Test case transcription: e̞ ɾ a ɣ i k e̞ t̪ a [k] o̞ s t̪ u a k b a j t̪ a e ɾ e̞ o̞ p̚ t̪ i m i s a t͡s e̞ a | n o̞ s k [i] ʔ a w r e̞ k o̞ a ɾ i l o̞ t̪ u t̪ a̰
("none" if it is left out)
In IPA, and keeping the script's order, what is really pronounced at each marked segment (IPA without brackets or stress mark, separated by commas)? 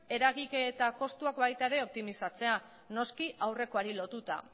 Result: k, i